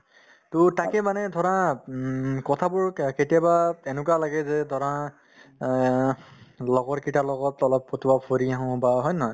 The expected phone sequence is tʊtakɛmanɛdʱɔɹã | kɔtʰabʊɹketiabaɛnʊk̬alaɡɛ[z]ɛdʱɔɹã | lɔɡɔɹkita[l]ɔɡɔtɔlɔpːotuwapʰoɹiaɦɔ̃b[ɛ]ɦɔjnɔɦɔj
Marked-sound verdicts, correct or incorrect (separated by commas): correct, correct, incorrect